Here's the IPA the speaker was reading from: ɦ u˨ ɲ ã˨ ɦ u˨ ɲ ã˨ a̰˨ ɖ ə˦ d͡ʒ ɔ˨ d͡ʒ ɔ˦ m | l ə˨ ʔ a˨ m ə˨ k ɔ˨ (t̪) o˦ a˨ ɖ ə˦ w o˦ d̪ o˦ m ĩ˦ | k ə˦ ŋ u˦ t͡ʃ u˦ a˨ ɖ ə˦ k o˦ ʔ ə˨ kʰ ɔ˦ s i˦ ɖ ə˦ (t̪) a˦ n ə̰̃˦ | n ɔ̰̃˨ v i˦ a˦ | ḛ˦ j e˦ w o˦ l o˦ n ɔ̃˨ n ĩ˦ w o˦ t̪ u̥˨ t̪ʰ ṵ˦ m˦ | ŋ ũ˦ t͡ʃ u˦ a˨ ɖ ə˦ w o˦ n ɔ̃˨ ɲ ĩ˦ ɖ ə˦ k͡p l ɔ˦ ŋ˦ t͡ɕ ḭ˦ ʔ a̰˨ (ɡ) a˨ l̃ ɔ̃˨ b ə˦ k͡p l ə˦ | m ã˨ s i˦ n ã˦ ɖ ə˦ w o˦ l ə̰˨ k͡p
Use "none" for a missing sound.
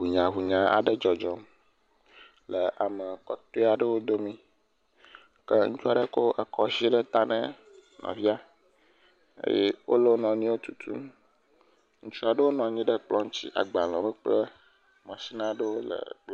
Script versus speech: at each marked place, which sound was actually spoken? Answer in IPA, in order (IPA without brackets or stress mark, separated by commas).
t̪, t̪, ɡ͡b